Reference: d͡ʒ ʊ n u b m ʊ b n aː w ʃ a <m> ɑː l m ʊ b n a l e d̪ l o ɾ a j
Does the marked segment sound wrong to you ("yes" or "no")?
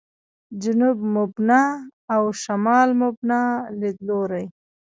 no